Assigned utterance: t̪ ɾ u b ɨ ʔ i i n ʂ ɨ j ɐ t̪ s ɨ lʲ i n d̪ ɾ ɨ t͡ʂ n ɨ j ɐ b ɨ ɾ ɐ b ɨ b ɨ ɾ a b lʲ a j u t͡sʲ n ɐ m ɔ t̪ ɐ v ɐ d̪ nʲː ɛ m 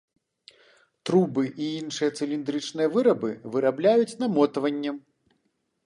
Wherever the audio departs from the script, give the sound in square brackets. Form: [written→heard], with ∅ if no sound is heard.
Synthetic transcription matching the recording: t̪ ɾ u b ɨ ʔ i i n ʂ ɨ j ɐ t̪ s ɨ lʲ i n d̪ ɾ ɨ t͡ʂ n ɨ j ɐ [b→v] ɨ ɾ ɐ b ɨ [b→v] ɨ ɾ a b lʲ a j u t͡sʲ n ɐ m ɔ t̪ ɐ v ɐ [d̪→∅] nʲː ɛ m